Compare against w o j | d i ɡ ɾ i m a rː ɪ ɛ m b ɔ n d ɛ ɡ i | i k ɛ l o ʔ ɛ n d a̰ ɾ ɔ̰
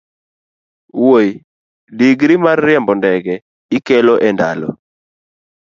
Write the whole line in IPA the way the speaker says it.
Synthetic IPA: w o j | d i ɡ ɾ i m a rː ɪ ɛ m b ɔ n d ɛ ɡ ɛ | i k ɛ l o ʔ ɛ n d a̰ l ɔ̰